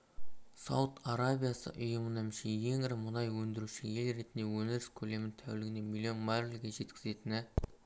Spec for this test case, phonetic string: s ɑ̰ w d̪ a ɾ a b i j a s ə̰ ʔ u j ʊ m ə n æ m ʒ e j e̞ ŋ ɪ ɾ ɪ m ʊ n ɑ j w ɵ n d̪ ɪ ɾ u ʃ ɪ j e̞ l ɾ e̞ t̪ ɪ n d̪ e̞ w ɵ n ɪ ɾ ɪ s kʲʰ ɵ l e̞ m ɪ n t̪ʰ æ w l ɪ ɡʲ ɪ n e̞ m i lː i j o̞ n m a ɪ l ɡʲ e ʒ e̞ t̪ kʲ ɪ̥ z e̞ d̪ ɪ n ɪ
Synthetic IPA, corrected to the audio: s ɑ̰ w t̪ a ɾ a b i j a s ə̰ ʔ ʊ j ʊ m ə n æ m ʃ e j e̞ ŋ ɪ ɾ ɪ m ʊ n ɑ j w ɵ n d̪ ɪ ɾ u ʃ ɪ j e̞ l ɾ e̞ t̪ ɪ n d̪ e̞ w ɵ n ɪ ɾ ɪ s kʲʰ ɵ l e̞ m ɪ n t̪ʰ æ w l ɪ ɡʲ ɪ n e̞ m i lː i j o̞ n m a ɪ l ɡʲ e ʒ e̞ t̪ kʲ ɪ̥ z e̞ t̪ ɪ n ɪ